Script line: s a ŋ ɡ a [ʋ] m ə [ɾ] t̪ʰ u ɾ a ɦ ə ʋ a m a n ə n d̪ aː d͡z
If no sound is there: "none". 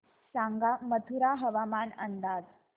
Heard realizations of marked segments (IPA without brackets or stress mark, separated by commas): none, none